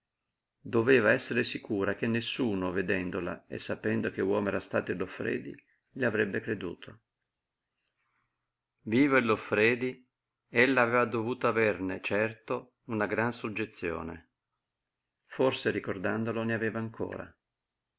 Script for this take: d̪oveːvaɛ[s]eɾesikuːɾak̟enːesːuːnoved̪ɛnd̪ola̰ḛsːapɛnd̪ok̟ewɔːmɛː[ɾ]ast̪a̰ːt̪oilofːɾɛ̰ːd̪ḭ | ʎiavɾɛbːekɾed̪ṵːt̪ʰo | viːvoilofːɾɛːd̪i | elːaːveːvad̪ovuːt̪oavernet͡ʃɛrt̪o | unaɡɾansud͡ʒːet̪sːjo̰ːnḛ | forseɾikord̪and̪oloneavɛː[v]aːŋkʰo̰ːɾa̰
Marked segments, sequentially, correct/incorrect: incorrect, correct, correct

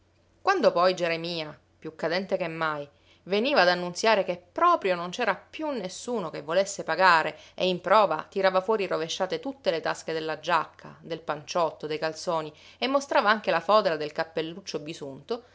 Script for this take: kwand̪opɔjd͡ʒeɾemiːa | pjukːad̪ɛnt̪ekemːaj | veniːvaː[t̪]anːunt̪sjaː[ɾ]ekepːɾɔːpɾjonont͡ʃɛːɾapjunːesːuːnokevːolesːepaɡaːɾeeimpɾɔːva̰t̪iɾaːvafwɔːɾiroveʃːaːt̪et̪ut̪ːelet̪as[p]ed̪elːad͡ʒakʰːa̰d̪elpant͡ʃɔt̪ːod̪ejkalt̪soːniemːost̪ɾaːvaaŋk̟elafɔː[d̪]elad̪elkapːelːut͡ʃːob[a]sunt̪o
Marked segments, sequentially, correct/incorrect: incorrect, correct, incorrect, correct, incorrect

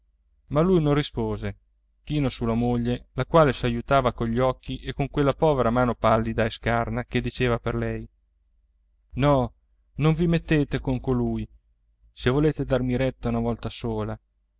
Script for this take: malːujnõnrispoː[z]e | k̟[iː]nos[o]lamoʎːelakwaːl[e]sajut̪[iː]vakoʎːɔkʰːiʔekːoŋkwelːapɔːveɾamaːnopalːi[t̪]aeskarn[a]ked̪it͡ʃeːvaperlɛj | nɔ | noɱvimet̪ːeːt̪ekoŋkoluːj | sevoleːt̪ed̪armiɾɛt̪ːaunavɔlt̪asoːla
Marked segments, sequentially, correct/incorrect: correct, correct, incorrect, correct, incorrect, incorrect, correct

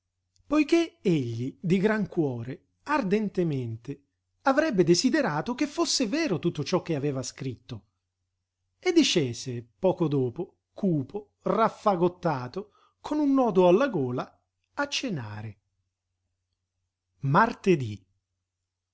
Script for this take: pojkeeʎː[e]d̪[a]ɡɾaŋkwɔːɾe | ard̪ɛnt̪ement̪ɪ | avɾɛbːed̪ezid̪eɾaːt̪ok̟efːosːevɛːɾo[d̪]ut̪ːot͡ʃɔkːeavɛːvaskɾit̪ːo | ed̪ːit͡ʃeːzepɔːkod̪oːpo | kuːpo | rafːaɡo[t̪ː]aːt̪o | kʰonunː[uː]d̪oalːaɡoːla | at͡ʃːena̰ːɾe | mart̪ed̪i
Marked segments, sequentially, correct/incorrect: incorrect, incorrect, incorrect, correct, incorrect

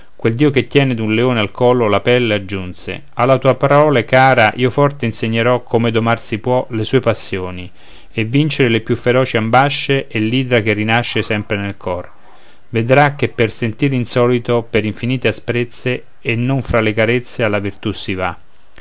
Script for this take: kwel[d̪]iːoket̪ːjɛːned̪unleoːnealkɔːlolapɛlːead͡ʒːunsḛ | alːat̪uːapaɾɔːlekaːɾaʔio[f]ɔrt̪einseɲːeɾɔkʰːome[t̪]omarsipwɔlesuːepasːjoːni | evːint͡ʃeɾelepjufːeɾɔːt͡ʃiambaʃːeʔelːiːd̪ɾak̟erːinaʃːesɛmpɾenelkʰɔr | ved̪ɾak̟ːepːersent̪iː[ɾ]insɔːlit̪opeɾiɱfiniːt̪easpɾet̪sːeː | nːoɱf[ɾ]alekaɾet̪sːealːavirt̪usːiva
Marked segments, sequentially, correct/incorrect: correct, correct, incorrect, correct, correct

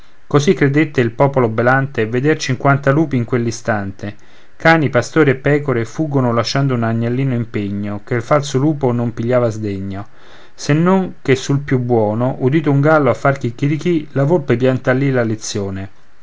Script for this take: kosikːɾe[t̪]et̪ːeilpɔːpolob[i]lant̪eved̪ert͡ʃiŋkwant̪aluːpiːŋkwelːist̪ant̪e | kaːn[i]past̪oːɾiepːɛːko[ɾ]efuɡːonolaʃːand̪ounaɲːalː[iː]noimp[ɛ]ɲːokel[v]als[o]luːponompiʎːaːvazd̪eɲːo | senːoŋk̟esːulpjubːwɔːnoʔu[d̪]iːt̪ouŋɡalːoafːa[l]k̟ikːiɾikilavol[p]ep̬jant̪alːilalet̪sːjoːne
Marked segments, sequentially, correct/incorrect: incorrect, incorrect, correct, correct, correct, incorrect, incorrect, correct, correct, incorrect, correct

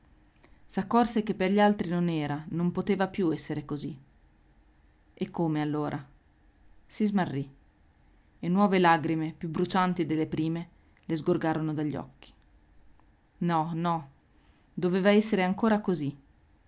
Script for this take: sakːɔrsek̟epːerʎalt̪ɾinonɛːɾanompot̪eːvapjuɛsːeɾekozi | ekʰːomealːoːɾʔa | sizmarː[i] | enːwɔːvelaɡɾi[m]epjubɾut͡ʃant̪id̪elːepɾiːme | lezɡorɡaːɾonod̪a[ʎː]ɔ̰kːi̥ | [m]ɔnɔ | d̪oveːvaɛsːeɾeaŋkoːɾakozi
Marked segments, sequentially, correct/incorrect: correct, correct, correct, incorrect

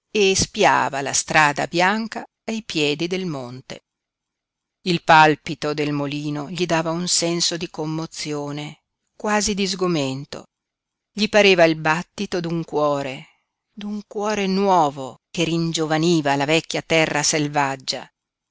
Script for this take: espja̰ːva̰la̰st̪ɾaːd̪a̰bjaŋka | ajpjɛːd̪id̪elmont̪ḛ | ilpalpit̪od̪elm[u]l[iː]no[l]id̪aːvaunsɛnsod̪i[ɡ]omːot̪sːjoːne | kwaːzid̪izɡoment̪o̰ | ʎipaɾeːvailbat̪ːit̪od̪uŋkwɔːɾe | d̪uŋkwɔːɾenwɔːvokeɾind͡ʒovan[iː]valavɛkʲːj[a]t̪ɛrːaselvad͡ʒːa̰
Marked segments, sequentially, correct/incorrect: incorrect, correct, incorrect, incorrect, correct, correct

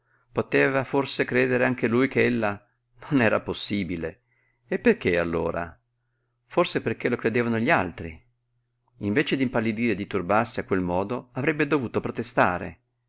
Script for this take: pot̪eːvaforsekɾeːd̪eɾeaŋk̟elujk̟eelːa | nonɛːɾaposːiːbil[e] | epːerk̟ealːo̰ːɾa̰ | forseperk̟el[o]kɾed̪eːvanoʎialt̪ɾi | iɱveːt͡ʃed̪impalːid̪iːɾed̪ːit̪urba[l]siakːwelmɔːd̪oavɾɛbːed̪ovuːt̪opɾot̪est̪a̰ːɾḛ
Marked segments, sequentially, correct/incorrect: correct, correct, incorrect

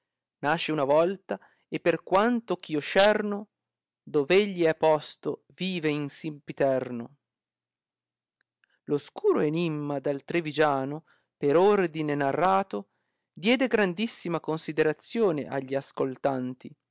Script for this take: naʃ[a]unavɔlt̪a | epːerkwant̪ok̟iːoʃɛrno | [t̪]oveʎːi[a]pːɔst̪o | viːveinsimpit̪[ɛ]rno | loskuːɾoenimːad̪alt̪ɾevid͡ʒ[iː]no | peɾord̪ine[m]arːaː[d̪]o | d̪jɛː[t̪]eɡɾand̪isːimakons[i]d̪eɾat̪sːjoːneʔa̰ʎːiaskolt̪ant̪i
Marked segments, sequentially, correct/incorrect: incorrect, incorrect, incorrect, correct, incorrect, incorrect, incorrect, incorrect, correct

